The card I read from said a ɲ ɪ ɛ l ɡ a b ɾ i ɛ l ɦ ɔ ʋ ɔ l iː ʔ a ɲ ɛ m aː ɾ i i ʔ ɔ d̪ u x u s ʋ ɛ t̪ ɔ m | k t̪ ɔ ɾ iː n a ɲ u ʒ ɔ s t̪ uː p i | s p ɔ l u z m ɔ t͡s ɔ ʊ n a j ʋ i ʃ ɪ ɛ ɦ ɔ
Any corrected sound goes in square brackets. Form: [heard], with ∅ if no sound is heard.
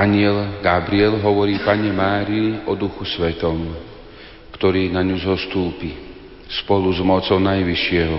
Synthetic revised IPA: a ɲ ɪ ɛ l ɡ a b ɾ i ɛ l ɦ ɔ ʋ ɔ [ɾ] iː [p] a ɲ ɛ m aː ɾ i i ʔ ɔ d̪ u x u s ʋ ɛ t̪ ɔ m | k t̪ ɔ ɾ iː n a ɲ u [z] ɔ s t̪ uː p i | s p ɔ l u z m ɔ t͡s ɔ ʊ n a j ʋ i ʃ ɪ ɛ ɦ ɔ